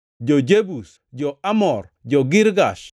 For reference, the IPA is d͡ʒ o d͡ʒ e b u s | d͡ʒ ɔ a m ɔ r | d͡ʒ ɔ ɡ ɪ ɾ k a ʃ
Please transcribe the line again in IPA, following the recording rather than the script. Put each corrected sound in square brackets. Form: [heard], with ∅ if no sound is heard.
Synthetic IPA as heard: d͡ʒ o d͡ʒ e b u s | d͡ʒ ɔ a m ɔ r | d͡ʒ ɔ ɡ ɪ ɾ [ɡ] a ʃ